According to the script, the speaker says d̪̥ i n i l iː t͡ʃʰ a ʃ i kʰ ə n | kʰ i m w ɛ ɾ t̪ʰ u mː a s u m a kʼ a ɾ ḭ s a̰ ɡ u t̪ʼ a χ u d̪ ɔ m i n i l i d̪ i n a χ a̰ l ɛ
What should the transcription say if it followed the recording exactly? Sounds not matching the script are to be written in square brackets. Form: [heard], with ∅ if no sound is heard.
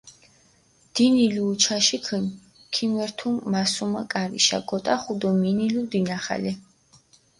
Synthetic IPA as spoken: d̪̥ i n i l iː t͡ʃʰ a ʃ i kʰ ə n | kʰ i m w ɛ ɾ t̪ʰ u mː a s u m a kʼ a ɾ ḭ [ʃ] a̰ ɡ [ɔ] t̪ʼ a χ u d̪ ɔ m i n i l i d̪ i n a χ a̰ l ɛ